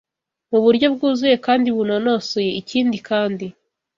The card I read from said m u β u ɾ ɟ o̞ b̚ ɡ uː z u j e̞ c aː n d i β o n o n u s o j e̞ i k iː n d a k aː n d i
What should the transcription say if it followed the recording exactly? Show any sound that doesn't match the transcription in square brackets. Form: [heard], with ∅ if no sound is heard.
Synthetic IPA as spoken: m u β u ɾ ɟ o̞ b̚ ɡ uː z u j e̞ [k] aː n d i β [u] n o n [o] s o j e̞ i [c] iː n d [i] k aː n d i